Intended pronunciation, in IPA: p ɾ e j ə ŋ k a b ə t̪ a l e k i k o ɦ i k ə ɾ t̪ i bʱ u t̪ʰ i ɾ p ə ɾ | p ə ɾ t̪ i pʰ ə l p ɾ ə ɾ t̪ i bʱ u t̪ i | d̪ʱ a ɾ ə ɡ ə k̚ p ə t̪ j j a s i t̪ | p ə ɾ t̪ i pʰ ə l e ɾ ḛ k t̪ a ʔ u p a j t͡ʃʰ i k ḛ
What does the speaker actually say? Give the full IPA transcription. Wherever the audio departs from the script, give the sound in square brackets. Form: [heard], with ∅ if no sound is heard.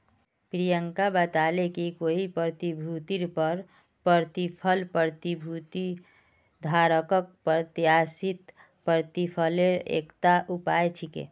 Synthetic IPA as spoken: p ɾ [i] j ə ŋ k a b ə t̪ a l e k i k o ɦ i [p] ə ɾ t̪ i bʱ u [t̪] i ɾ p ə ɾ | p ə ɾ t̪ i pʰ ə l p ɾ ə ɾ t̪ i bʱ u t̪ i | d̪ʱ a ɾ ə [k] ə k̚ p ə t̪ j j a s i t̪ | p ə ɾ t̪ i pʰ ə l e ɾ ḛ k t̪ a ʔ u p a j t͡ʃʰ i k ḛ